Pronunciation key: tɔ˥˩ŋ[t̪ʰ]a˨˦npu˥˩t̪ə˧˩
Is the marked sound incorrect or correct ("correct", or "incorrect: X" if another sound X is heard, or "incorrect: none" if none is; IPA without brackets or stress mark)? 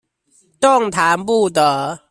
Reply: correct